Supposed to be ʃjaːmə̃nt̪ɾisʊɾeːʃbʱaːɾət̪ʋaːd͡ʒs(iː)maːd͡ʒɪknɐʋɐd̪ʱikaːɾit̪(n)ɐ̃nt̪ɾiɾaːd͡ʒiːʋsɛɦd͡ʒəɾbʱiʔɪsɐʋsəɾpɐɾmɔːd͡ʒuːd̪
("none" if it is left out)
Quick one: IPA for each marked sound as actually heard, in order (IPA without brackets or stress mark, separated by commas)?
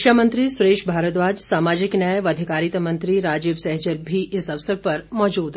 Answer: aː, m